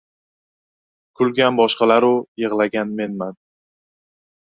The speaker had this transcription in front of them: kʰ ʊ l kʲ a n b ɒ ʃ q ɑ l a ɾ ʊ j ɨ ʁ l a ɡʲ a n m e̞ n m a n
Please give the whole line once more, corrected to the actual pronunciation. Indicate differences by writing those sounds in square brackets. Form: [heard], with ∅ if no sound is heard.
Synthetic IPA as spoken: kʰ ʊ l [ɡʲ] a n b ɒ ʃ q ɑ l a ɾ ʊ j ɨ ʁ l a ɡʲ a n m e̞ n m a n